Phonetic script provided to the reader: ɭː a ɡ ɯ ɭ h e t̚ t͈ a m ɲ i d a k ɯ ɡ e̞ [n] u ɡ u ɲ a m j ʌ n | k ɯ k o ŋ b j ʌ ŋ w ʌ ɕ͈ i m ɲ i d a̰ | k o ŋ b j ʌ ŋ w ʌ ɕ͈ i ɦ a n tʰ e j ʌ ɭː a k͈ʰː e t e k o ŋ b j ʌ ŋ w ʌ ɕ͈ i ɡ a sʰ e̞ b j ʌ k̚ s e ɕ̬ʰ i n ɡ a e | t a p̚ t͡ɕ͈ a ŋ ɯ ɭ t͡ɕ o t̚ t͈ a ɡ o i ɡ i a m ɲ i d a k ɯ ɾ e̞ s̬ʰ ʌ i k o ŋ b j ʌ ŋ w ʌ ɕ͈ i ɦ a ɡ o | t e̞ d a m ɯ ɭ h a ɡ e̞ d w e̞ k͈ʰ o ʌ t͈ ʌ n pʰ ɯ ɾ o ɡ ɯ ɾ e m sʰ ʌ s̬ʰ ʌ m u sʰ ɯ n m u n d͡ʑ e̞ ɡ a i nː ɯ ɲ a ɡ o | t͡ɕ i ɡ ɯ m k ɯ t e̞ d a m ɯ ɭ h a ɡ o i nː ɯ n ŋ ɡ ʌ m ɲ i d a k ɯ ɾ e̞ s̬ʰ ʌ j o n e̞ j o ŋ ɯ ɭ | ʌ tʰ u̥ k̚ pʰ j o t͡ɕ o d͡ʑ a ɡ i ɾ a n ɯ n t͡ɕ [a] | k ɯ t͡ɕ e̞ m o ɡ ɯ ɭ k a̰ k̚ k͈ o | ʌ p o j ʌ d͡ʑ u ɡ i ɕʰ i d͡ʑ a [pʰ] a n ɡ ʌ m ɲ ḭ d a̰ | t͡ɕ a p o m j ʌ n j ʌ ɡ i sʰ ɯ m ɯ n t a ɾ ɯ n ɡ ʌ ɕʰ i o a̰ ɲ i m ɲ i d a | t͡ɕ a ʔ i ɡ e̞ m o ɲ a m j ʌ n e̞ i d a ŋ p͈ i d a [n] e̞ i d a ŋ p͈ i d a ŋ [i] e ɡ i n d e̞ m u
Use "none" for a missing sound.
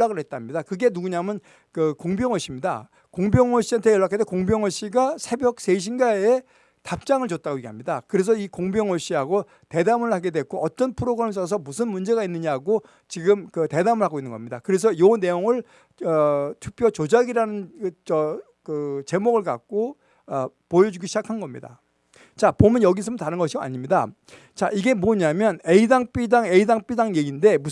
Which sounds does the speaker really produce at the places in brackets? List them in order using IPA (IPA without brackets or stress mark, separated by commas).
n, ʌ, kʰ, ŋ, j